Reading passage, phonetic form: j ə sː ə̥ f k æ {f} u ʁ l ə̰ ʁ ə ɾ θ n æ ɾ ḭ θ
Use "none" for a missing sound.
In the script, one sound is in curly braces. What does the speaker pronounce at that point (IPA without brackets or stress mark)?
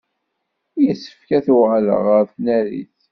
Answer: θ